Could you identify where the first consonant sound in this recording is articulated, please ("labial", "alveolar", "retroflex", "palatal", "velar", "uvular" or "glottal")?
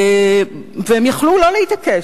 labial